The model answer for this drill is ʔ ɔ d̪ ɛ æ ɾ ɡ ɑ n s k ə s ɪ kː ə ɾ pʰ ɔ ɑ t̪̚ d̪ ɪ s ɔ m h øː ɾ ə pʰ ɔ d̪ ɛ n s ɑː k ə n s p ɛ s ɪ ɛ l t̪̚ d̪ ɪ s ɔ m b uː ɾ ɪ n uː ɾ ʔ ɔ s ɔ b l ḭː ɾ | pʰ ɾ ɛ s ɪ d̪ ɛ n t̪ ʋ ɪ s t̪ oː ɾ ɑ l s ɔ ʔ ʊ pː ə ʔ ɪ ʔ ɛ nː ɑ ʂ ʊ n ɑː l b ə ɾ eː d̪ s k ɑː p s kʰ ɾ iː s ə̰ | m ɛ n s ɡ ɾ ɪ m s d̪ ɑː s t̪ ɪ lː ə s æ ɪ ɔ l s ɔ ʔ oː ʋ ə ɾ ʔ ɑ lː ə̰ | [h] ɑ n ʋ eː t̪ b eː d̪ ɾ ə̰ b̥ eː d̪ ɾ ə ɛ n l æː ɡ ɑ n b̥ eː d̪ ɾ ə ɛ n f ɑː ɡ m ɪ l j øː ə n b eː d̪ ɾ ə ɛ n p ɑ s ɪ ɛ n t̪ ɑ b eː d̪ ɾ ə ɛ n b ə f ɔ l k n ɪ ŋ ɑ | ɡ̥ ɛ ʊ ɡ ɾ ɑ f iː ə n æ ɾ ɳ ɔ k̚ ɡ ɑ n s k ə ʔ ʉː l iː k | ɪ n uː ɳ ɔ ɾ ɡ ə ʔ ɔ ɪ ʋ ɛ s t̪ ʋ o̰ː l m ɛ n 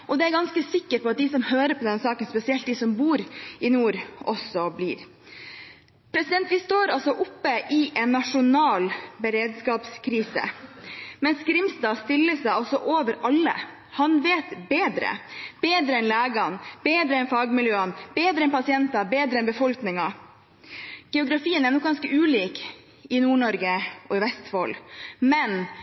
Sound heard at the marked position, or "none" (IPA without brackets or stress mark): h